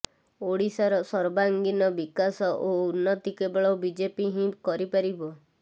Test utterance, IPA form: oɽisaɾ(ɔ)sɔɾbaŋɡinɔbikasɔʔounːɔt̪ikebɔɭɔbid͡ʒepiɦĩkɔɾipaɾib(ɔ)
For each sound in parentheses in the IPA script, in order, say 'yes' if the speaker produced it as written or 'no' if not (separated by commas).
yes, yes